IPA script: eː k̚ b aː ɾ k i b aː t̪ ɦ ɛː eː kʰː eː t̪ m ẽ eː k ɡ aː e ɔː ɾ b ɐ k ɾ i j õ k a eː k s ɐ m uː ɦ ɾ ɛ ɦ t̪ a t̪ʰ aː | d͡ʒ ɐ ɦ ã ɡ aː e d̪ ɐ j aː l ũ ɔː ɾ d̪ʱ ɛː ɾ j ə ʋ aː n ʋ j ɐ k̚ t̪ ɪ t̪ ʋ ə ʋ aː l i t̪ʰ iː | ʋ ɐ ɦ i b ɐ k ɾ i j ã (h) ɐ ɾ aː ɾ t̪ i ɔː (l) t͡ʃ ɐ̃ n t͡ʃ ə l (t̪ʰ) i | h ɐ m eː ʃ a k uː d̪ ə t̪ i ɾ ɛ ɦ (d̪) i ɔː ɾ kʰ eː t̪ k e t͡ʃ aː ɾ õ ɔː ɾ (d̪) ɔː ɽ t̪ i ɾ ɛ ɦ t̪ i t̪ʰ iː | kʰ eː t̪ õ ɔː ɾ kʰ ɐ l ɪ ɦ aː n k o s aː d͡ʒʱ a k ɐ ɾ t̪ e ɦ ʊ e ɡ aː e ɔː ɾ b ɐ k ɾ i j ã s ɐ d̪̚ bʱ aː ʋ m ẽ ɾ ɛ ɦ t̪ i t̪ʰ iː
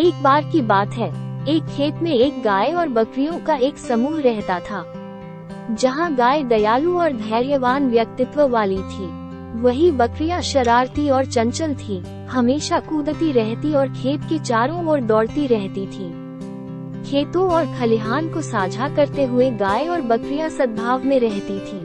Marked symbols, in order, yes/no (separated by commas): no, no, yes, no, yes